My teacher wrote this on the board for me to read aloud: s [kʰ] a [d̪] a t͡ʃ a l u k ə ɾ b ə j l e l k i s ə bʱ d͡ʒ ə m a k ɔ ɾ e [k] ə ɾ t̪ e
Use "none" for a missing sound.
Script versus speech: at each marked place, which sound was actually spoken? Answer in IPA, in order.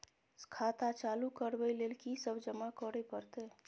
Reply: kʰ, t̪, p

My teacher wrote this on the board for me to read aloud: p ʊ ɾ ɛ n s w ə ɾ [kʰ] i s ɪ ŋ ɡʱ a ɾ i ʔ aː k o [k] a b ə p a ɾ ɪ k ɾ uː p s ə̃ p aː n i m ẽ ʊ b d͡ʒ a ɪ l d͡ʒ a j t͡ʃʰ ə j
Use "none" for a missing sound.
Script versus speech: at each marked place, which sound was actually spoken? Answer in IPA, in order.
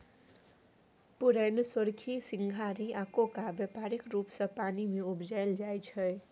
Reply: kʰ, k

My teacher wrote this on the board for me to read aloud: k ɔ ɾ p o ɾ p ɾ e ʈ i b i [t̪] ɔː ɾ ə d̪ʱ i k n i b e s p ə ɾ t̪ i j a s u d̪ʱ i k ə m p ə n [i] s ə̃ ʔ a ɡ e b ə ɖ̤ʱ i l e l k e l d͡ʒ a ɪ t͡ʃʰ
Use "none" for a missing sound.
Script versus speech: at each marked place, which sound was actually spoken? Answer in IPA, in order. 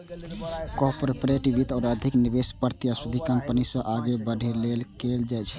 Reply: t̪, i

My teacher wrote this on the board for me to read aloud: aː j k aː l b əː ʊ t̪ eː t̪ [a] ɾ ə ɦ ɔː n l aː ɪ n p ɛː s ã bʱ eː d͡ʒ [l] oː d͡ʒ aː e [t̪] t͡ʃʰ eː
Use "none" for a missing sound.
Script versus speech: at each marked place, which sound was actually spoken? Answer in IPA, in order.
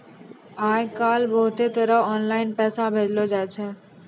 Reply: ə, l, none

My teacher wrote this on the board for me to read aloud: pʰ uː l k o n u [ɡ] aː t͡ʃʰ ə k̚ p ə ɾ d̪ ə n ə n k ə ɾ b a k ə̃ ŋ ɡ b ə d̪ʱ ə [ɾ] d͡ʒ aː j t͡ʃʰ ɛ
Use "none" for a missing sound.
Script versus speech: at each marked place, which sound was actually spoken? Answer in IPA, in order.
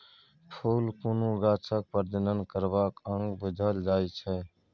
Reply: ɡ, l

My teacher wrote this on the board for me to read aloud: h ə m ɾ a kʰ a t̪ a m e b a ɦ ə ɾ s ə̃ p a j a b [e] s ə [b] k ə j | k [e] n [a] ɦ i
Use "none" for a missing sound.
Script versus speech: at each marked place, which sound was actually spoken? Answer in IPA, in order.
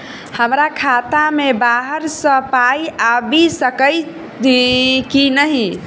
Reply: i, none, i, ə

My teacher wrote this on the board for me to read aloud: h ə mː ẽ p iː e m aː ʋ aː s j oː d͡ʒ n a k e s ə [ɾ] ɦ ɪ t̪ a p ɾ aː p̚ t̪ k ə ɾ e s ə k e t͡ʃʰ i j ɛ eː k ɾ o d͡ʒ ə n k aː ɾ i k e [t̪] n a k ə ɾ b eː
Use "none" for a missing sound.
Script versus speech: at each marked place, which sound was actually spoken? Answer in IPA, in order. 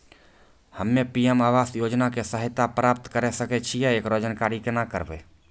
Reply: none, none

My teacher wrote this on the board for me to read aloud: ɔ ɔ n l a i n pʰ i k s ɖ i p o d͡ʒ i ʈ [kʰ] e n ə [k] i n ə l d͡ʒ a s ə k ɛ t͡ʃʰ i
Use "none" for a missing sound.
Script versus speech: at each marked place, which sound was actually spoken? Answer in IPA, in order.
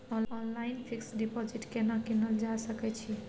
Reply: k, k

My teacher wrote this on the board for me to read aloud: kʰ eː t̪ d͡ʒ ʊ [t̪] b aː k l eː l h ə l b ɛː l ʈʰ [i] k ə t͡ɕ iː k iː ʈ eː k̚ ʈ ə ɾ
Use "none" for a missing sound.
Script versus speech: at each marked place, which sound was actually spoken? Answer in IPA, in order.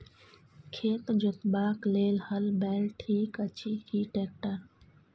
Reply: t̪, iː

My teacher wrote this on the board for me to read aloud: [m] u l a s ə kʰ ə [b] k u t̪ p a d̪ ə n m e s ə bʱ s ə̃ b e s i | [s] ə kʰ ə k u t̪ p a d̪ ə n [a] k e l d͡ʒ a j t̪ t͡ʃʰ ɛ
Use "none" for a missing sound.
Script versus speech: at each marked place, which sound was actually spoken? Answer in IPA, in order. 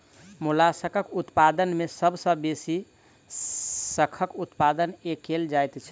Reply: m, none, s, e

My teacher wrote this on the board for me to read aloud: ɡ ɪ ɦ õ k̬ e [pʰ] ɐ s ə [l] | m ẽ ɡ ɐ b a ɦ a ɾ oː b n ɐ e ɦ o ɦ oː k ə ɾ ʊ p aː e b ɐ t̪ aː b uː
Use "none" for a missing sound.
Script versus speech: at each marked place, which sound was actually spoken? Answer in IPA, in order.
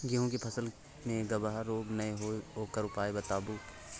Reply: pʰ, l

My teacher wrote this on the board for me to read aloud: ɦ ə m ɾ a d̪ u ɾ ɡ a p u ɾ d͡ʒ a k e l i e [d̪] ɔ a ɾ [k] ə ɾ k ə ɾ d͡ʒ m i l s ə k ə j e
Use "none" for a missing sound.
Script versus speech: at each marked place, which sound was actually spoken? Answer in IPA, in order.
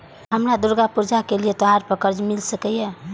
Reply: t̪, p

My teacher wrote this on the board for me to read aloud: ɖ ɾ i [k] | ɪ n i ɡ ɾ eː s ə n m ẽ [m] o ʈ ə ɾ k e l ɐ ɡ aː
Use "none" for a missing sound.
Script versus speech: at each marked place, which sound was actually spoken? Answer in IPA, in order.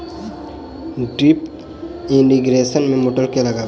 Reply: p, m

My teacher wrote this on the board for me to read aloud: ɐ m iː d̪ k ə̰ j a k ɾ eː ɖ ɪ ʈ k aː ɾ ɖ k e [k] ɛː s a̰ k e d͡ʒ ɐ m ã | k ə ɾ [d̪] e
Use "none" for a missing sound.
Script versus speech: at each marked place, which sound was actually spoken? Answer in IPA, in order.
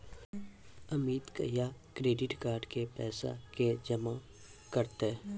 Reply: p, t̪

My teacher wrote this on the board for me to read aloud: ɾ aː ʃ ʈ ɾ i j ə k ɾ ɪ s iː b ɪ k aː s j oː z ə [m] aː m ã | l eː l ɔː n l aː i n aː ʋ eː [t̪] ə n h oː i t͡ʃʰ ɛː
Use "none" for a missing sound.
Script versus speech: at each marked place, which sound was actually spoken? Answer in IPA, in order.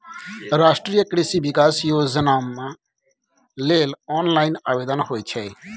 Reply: n, d̪

